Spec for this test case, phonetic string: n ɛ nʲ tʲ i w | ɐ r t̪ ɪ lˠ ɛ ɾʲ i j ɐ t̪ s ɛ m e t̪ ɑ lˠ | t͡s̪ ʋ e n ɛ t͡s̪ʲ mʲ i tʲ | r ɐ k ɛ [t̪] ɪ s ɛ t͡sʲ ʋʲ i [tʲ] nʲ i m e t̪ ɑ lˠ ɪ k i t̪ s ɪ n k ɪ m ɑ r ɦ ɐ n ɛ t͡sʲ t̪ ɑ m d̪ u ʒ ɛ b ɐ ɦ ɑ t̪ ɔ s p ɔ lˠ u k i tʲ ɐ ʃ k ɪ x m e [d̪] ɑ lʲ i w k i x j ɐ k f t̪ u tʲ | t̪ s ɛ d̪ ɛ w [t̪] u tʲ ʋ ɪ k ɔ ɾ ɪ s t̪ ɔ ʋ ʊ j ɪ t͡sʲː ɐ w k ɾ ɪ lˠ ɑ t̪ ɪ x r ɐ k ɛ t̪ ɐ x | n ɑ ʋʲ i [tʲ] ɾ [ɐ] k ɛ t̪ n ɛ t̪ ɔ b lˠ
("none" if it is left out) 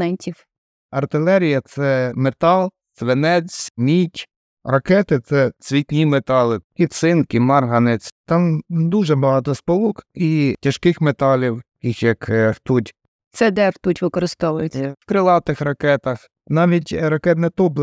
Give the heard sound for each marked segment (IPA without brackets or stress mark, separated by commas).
t̪, tʲ, t̪, t̪, tʲ, ɐ